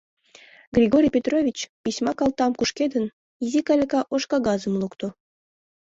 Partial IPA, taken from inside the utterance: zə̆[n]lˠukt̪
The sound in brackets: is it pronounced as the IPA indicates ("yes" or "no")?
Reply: no